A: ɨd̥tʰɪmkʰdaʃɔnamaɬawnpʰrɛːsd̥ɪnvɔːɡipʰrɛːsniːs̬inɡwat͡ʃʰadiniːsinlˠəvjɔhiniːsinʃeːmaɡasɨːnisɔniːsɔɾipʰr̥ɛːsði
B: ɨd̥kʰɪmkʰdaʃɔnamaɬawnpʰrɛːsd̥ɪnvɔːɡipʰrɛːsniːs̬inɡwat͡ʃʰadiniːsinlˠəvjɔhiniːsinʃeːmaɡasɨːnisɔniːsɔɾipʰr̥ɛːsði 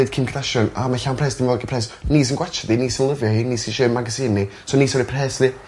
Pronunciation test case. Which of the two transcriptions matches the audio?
B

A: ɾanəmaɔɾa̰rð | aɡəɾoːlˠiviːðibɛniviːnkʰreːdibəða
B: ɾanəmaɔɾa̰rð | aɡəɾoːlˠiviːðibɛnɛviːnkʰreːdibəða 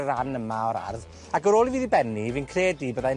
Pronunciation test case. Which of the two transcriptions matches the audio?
A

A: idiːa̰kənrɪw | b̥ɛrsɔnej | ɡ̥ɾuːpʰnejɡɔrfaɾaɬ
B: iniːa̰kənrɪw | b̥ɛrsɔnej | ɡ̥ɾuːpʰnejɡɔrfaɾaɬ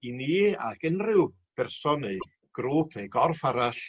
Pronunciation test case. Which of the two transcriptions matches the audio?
B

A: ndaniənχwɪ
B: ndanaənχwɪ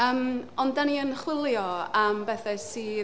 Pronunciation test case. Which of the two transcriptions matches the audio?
A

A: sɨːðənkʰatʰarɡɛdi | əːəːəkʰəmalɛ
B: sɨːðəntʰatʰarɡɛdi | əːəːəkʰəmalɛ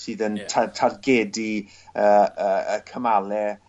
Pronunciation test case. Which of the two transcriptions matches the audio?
B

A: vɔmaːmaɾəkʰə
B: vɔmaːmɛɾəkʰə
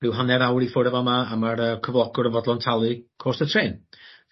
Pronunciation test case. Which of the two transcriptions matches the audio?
A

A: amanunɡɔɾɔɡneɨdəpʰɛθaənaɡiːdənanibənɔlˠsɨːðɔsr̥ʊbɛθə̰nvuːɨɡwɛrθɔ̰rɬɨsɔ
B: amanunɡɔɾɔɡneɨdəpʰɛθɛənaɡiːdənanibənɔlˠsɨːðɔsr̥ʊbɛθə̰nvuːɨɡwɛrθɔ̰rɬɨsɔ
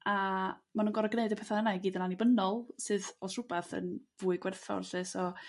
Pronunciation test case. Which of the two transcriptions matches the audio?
A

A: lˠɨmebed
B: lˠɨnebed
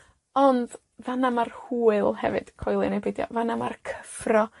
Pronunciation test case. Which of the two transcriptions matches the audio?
B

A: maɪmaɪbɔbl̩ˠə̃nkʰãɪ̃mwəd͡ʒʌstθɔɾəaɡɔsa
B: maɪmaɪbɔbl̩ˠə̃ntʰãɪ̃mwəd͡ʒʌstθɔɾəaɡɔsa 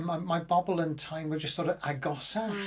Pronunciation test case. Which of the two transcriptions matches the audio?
B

